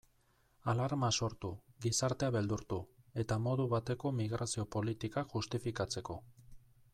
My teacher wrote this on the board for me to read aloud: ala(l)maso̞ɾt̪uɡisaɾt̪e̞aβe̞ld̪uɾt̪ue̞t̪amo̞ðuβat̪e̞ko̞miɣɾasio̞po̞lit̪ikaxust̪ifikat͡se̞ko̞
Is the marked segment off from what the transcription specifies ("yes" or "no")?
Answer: yes